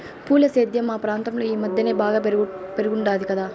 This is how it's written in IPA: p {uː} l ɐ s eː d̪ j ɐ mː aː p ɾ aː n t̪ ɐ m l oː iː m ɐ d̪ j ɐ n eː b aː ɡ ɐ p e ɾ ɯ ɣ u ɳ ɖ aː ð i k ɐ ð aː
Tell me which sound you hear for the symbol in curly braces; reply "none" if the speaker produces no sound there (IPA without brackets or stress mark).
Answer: uː